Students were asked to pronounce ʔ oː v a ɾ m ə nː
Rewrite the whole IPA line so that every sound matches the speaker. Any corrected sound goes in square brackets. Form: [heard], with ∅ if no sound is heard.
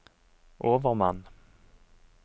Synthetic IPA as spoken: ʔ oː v [ə] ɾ m [a] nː